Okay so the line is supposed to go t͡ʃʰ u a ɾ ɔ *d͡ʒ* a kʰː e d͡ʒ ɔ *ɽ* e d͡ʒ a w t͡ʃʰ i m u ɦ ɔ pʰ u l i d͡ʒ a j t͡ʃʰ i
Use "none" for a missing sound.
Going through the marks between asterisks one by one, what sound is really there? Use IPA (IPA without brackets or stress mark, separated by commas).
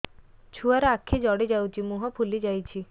none, ɽ